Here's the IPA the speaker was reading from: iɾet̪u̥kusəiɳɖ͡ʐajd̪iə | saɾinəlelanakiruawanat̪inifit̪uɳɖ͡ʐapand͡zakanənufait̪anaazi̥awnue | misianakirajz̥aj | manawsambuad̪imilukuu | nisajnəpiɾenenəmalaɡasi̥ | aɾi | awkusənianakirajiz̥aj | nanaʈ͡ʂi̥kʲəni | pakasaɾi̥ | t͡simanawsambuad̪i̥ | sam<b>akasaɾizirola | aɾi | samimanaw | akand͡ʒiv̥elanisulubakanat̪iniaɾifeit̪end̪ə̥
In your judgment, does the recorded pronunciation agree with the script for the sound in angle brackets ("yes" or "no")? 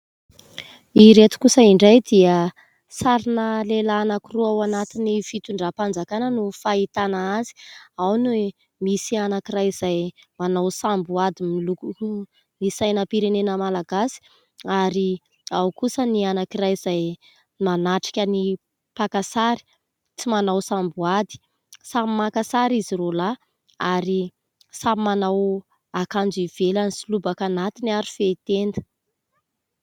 no